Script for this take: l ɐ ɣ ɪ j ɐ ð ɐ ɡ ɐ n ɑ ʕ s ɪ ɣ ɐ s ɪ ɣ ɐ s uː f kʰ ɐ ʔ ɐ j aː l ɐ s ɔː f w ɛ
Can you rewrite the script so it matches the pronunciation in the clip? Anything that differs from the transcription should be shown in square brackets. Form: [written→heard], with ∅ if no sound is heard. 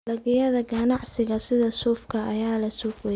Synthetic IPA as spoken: l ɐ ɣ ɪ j ɐ ð ɐ ɡ ɐ n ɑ ʕ s ɪ ɣ ɐ s ɪ [ɣ→ð] ɐ s uː f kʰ ɐ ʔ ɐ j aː l ɐ s [ɔː→uː] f w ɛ